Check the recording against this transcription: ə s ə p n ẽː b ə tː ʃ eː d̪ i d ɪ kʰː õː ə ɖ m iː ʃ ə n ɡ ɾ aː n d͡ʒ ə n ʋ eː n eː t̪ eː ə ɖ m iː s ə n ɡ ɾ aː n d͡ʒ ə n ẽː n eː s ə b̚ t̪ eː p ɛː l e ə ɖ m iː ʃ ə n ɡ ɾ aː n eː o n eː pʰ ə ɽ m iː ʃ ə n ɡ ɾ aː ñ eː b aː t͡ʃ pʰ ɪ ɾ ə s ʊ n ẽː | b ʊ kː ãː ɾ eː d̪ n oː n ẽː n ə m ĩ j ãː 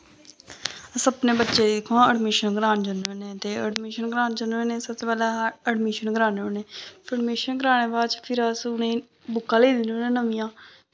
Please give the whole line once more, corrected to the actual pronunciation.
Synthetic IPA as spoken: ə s ə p n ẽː b ə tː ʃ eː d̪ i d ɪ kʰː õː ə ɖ m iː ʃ ə n ɡ ɾ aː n d͡ʒ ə n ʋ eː n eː t̪ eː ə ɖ m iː ʃ ə n ɡ ɾ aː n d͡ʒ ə n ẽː n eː s ə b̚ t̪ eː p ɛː l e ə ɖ m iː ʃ ə n ɡ ɾ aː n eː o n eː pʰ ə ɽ m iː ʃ ə n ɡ ɾ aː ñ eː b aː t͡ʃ pʰ ɪ ɾ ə s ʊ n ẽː | b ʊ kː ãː l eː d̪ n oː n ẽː n ə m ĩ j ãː

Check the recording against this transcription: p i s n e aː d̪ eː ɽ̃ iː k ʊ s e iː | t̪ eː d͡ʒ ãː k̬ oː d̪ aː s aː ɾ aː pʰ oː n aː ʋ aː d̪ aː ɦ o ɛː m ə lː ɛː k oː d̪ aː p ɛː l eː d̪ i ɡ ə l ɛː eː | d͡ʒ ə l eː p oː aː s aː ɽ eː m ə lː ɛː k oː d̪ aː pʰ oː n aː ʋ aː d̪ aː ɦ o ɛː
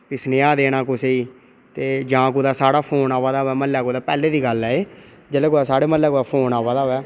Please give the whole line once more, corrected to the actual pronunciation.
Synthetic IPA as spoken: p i s n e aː d̪ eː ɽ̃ aː k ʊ s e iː | t̪ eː d͡ʒ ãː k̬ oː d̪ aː s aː ɽ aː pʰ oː n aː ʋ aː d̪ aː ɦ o ɛː m ə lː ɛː k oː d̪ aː p ɛː l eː d̪ iː ɡ ə l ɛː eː | d͡ʒ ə l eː k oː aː s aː ɽ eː m ə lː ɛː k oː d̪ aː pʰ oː n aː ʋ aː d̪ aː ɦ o ɛː

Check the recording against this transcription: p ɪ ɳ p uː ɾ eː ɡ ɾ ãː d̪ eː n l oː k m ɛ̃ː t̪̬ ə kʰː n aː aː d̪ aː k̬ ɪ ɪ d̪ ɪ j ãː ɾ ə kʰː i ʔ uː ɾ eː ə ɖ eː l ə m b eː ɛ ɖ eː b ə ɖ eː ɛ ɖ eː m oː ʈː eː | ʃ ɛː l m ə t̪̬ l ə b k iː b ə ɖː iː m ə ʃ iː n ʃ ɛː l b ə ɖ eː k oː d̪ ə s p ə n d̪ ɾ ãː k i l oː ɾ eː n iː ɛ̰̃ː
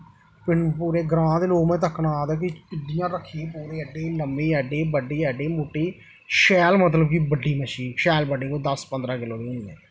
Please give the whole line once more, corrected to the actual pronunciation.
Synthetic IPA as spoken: p ɪ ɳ p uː ɾ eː ɡ ɾ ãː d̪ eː l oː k m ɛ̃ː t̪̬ ə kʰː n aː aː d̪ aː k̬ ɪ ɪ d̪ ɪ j ãː ɾ ə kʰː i p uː ɾ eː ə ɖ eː l ə m b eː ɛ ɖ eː b ə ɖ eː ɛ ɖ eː m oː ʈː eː | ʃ ɛː l m ə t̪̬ l ə b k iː b ə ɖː iː m ə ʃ iː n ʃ ɛː l b ə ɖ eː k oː d̪ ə s p ə n d̪ ɾ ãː k ɪ l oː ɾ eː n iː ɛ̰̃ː

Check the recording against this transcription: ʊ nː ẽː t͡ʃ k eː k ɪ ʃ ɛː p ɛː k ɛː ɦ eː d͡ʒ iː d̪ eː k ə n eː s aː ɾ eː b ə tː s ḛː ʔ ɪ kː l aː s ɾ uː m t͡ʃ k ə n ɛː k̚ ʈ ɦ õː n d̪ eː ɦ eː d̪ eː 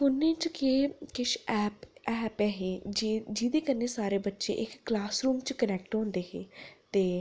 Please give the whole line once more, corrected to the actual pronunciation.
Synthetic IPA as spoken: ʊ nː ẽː t͡ʃ k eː k ɪ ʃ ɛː p ɛː p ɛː ɦ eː d͡ʒ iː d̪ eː k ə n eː s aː ɾ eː b ə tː ʃ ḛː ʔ ɪ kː l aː s ɾ uː m t͡ʃ k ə n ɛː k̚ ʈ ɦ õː n d̪ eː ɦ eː t̪ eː

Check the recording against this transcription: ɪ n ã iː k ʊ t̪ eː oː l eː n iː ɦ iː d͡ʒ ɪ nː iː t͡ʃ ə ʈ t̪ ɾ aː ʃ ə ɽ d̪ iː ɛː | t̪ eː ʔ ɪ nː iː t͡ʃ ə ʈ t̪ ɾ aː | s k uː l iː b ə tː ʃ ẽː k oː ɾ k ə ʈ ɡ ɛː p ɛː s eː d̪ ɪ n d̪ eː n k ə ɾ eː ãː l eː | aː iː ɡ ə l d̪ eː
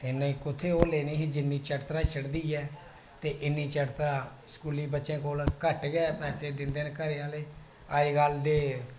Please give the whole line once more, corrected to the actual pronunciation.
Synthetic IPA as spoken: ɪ n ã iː k ʊ t̪ʰ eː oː l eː n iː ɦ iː d͡ʒ ɪ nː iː t͡ʃ ə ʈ t̪ ɾ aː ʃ ə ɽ d̪ iː ɛː | t̪ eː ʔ ɪ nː iː t͡ʃ ə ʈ t̪ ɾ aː | s k uː l iː b ə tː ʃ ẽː k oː l k ə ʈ ɡ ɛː p ɛː s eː d̪ ɪ n d̪ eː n k ə ɾ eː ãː l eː | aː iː ɡ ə l d̪ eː

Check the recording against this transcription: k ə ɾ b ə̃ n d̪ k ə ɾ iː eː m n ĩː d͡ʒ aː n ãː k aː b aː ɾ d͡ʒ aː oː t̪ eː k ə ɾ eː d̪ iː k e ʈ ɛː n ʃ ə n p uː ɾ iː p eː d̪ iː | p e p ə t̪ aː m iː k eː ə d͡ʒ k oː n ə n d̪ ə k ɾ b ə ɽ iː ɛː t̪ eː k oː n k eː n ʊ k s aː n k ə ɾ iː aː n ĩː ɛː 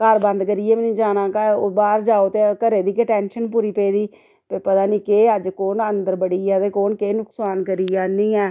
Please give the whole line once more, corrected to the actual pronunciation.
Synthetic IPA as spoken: k ə ɾ b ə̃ n d̪ k ə ɾ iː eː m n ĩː d͡ʒ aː n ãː k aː b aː ɾ d͡ʒ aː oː t̪ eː k ə ɾ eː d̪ iː k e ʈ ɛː n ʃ ə n p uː ɾ iː p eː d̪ iː | p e p ə t̪ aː n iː k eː ə d͡ʒ k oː n ə n d̪ ə ɾ b ə ɽ iː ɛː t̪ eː k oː n k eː n ʊ k s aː n k ə ɾ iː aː n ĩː ɛː

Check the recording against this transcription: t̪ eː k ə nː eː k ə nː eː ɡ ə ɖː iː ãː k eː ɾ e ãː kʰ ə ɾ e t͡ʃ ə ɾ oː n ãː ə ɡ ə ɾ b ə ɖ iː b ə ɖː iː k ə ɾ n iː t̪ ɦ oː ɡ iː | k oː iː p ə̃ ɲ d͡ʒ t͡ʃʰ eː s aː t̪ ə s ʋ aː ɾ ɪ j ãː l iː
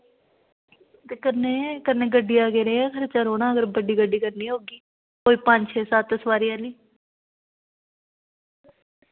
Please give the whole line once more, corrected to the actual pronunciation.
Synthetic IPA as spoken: t̪ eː k ə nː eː k ə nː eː ɡ ə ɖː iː aː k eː ɾ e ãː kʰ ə ɾ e t͡ʃ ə ɾ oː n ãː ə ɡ ə ɾ b ə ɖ iː ɡ ə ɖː iː k ə ɾ n iː ɦ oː ɡ iː | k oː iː p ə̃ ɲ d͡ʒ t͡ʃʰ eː s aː t̪ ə s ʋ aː ɾ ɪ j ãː l iː

